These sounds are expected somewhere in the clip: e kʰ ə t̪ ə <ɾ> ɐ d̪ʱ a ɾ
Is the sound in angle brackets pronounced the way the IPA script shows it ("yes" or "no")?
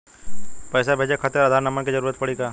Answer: yes